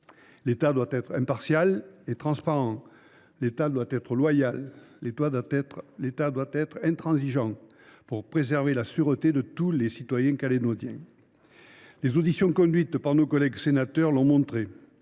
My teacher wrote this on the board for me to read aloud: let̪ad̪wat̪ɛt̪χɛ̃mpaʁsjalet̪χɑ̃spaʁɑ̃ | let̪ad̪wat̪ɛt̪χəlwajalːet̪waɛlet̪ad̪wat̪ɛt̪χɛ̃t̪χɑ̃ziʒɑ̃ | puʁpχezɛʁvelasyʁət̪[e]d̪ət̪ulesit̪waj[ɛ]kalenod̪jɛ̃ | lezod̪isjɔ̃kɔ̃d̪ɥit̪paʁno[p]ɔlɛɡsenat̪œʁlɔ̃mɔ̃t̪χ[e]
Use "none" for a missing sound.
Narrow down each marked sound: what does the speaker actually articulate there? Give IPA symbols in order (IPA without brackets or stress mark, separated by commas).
e, ɛ̃, k, e